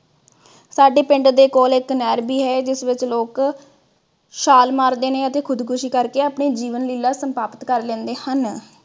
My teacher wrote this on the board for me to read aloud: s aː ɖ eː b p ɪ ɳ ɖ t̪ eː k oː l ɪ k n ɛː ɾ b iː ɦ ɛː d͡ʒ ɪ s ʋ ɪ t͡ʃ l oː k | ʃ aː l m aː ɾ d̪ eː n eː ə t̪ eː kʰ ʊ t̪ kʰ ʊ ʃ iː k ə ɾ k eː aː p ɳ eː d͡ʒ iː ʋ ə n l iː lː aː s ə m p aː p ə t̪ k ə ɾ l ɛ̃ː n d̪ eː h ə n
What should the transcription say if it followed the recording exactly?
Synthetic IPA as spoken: s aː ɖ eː p ɪ ɳ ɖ d̪ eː k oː l ɪ k n ɛː ɾ b iː ɦ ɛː d͡ʒ ɪ s ʋ ɪ t͡ʃ l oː k | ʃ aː l m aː ɾ d̪ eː n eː ə t̪ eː kʰ ʊ d̪ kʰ ʊ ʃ iː k ə ɾ k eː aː p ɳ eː d͡ʒ iː ʋ ə n l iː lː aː s ə m p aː p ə t̪ k ə ɾ l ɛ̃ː n d̪ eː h ə n